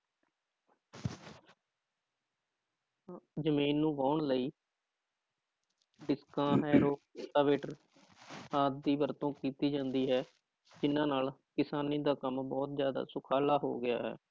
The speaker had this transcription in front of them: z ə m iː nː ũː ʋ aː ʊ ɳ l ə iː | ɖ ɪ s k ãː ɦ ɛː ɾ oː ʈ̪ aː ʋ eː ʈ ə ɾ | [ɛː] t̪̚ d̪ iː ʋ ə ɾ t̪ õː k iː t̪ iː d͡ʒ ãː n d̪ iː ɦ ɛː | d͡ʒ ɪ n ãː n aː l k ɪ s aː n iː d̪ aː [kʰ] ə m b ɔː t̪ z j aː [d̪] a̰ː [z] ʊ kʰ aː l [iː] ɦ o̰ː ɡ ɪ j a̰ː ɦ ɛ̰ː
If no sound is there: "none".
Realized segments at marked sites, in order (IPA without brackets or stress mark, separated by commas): aː, k, d̪, s, aː